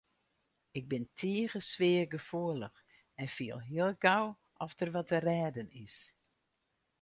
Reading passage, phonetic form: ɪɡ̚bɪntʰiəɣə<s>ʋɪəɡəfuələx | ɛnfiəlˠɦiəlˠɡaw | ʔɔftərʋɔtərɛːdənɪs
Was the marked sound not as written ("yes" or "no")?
no